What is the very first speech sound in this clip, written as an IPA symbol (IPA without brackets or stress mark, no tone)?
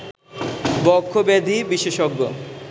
b